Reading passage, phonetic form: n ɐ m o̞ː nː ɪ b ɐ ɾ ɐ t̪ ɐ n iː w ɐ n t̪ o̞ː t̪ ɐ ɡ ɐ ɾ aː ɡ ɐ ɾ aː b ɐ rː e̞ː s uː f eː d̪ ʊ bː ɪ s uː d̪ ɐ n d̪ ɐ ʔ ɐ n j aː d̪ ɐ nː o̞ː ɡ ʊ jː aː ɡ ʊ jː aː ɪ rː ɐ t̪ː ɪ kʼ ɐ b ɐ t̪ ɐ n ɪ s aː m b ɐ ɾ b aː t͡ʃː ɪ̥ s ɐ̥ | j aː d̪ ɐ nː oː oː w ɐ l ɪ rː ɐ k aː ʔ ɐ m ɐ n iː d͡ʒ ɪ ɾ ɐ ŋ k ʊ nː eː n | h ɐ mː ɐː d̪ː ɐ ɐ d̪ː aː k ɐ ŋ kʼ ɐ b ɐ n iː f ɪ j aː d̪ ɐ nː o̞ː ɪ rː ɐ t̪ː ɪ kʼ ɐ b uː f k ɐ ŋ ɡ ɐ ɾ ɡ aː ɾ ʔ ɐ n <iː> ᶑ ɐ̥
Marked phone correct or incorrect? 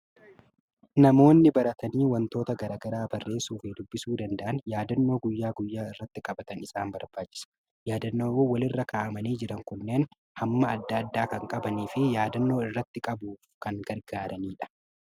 correct